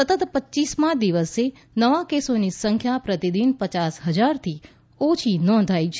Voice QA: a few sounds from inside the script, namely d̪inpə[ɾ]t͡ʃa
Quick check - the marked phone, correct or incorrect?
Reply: incorrect